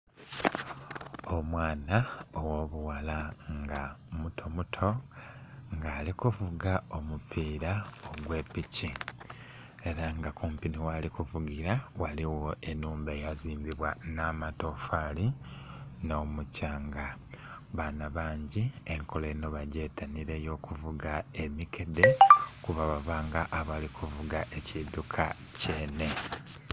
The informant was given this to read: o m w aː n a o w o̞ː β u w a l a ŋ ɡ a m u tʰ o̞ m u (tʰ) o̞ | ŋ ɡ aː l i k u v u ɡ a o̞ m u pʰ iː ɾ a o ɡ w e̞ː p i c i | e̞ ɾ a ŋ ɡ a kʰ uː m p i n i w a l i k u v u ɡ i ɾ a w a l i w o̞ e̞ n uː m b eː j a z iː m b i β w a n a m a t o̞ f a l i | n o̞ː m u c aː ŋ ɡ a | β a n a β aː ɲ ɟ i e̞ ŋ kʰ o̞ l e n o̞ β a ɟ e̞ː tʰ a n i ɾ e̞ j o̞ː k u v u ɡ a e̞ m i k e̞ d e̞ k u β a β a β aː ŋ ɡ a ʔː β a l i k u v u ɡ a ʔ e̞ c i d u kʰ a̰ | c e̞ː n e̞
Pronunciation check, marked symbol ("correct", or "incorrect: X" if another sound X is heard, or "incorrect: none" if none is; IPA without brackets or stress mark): correct